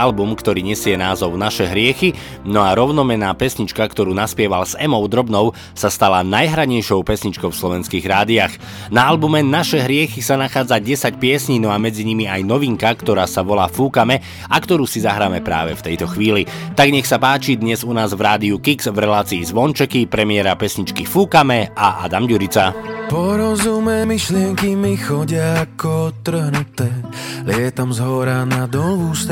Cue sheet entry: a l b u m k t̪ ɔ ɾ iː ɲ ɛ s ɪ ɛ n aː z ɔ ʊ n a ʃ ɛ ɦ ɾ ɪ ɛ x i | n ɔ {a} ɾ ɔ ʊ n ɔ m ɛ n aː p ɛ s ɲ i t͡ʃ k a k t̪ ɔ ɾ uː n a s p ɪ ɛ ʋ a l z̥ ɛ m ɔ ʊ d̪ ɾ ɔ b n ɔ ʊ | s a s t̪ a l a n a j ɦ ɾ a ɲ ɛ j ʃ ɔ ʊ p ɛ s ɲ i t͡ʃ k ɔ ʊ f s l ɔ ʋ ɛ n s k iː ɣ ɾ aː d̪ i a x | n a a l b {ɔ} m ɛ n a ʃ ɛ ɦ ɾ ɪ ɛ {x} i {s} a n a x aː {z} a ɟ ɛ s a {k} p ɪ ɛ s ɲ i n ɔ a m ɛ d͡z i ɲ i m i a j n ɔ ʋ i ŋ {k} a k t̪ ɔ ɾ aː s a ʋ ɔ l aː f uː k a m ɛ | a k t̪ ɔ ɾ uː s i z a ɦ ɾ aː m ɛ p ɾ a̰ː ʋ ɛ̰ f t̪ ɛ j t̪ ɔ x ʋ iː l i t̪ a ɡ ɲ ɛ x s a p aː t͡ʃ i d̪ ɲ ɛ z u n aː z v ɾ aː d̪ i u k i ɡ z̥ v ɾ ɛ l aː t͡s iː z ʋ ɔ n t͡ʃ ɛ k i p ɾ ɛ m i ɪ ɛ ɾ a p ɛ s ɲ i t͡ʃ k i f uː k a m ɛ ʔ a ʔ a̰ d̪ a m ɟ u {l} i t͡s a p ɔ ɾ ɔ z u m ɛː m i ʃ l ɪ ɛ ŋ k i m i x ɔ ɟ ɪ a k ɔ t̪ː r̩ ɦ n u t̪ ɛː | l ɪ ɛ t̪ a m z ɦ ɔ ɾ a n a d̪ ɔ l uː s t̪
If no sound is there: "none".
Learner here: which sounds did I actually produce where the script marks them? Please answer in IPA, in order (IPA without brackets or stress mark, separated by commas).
a, u, x, s, d͡z, c, k, ɾ